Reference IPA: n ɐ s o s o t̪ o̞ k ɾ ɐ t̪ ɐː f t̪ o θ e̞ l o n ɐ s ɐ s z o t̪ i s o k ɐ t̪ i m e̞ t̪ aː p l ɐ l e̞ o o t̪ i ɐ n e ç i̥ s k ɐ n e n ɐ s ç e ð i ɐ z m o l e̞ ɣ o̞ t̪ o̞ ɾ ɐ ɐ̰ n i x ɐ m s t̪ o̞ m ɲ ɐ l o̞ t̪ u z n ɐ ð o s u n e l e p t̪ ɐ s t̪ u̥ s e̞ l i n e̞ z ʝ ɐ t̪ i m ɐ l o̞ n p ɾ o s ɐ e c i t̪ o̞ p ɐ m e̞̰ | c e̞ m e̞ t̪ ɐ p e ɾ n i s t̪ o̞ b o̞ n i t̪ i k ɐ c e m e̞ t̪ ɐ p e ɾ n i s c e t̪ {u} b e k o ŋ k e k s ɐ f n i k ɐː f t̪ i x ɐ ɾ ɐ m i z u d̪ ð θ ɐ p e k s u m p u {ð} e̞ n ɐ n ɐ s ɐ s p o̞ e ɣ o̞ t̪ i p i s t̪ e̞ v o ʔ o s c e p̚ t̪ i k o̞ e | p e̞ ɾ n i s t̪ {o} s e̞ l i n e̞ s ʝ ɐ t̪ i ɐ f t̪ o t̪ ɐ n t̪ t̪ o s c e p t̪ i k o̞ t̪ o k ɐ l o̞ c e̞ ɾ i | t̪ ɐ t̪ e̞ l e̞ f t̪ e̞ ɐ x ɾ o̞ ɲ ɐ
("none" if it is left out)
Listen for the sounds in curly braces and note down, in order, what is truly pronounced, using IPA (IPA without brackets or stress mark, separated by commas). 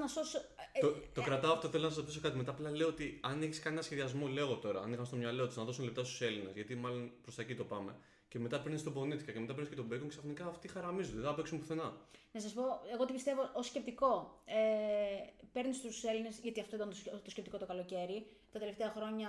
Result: o, θ, u